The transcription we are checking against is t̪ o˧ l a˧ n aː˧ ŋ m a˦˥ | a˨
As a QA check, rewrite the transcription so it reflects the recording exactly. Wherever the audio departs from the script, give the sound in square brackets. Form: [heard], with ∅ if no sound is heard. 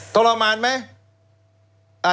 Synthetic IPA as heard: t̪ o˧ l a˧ [m] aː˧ [n] m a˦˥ | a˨